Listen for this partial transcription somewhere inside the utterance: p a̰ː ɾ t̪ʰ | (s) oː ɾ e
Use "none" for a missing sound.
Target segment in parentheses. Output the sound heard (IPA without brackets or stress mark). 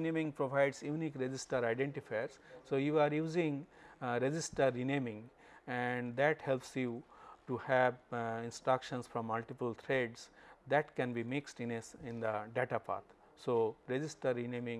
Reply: s